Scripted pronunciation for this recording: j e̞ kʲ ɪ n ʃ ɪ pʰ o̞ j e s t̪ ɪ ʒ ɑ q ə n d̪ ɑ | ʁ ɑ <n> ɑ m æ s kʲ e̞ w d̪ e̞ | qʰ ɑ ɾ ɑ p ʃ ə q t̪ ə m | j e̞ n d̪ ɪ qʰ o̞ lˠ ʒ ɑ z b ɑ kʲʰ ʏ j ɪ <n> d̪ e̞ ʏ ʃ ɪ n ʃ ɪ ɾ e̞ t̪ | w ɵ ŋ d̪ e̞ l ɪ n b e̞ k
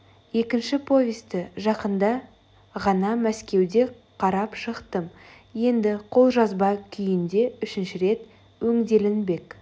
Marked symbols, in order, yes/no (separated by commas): yes, yes